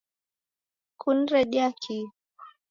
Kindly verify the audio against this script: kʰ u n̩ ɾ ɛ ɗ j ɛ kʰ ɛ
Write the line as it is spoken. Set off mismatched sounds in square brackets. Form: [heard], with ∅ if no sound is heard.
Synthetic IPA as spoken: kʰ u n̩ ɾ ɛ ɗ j [a] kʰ [i]